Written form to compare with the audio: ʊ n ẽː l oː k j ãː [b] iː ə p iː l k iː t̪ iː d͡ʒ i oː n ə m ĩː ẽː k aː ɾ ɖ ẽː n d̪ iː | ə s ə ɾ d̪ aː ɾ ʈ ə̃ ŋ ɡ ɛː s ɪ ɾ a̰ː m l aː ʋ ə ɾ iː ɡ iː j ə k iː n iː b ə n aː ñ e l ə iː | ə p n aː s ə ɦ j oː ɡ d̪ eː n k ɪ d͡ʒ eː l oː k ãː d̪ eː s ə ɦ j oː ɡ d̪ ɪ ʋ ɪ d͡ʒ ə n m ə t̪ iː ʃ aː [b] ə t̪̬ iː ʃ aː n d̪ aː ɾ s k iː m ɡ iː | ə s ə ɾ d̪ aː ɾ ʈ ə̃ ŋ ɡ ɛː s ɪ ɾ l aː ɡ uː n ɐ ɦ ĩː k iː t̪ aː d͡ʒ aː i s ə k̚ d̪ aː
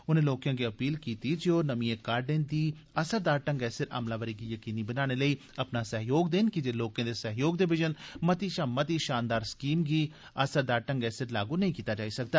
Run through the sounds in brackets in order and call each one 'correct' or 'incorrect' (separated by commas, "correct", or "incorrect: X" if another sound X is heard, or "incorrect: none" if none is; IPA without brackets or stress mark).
incorrect: ɡ, incorrect: m